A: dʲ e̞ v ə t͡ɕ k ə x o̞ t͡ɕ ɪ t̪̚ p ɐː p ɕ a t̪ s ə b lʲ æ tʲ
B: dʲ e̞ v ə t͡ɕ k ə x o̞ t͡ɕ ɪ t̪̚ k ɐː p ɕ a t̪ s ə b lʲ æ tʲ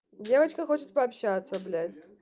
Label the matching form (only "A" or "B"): A